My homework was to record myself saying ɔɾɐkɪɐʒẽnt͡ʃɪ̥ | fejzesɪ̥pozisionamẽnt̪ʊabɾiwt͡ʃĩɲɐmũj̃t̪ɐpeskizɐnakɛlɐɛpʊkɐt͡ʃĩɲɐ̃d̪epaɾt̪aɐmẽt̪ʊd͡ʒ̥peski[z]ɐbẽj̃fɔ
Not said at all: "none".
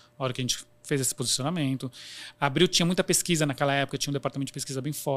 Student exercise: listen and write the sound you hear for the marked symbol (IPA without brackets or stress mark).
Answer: z